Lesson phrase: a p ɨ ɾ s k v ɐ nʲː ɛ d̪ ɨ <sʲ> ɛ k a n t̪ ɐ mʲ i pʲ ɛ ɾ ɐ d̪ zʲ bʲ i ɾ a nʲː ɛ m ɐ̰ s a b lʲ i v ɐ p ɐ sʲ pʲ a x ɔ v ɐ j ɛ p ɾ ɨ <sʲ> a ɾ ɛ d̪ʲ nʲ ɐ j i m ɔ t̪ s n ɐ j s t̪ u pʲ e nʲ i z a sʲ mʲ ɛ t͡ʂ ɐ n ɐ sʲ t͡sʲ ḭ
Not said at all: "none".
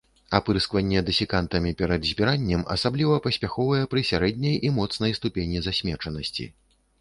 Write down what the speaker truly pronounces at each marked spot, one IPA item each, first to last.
sʲ, sʲ

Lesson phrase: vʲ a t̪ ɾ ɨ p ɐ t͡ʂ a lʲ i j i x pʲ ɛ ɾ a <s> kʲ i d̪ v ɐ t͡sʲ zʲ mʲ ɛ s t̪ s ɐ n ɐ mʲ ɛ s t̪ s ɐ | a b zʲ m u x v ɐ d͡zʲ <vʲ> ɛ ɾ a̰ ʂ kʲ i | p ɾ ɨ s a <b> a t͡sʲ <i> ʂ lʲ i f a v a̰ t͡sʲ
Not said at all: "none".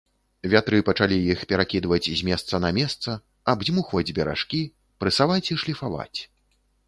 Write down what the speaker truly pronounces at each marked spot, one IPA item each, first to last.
none, bʲ, v, i

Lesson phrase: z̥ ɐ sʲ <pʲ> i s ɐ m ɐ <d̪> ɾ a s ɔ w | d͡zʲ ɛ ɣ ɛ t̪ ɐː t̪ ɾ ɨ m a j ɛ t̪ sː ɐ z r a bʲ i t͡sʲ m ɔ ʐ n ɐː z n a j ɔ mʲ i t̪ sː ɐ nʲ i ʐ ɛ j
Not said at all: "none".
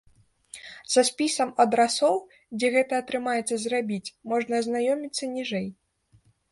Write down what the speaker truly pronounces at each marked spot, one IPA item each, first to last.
pʲ, d̪

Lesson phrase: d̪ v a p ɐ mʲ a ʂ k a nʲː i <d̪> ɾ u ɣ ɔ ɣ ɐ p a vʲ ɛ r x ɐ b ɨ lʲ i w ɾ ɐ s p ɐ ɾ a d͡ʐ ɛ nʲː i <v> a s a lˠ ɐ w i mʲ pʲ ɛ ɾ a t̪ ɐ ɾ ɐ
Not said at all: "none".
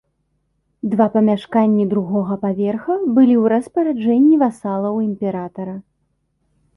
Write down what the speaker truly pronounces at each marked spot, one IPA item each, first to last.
d̪, v

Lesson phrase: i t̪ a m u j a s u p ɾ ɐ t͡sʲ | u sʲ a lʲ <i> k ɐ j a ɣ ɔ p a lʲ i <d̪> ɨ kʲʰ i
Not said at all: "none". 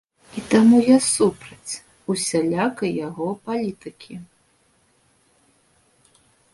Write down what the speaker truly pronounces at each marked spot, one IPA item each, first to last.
a, t̪

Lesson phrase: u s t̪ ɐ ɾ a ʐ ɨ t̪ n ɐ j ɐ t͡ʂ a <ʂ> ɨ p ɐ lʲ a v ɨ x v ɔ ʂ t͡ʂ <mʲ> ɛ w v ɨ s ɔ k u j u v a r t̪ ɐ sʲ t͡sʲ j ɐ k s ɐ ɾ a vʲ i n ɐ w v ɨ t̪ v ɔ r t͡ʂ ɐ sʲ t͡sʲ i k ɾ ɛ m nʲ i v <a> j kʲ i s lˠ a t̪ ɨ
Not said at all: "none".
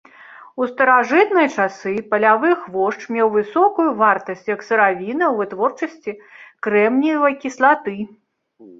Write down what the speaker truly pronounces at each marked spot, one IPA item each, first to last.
s, mʲ, ɐ

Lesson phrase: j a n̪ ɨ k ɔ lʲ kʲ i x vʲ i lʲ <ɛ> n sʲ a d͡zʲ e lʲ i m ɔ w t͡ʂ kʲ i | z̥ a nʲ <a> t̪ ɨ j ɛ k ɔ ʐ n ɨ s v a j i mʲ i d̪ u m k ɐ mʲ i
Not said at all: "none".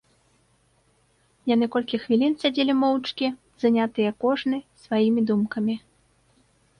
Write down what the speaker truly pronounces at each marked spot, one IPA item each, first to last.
i, a

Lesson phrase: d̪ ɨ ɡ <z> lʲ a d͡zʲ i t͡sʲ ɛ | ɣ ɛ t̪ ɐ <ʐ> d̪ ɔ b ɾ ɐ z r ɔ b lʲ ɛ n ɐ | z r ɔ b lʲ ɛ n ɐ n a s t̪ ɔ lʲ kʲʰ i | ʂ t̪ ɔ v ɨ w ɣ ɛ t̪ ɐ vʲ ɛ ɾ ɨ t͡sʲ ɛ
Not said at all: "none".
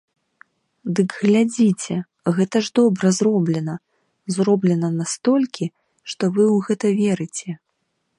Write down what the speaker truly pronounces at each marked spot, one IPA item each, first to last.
ɣ, ʐ

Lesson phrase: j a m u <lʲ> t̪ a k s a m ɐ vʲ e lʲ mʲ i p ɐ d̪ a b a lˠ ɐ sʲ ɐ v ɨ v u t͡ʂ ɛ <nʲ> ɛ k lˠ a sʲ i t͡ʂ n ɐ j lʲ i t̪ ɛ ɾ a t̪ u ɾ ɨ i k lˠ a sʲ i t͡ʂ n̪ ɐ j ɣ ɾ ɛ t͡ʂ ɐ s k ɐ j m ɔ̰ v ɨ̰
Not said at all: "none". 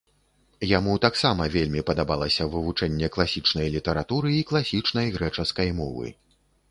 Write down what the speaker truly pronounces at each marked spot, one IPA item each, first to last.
none, nʲː

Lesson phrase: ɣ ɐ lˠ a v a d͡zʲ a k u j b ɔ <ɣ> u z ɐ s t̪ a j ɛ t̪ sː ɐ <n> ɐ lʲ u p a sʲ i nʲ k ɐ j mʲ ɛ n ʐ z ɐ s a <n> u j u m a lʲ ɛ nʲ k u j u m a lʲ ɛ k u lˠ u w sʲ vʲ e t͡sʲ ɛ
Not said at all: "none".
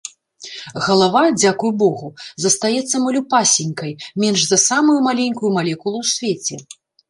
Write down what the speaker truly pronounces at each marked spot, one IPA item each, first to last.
ɣ, m, m

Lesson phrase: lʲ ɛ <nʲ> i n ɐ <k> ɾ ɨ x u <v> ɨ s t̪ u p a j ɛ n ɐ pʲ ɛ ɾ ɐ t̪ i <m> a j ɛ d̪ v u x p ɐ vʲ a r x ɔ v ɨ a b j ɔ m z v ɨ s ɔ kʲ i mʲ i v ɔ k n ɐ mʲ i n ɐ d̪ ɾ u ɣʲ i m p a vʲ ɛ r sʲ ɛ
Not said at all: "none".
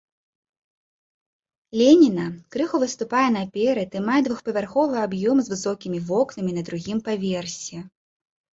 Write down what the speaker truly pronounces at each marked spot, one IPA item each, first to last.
nʲ, k, v, m

